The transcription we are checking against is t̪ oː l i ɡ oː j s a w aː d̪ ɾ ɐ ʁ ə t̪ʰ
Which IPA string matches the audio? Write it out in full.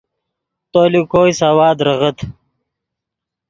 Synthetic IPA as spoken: t̪ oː l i k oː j s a w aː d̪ ɾ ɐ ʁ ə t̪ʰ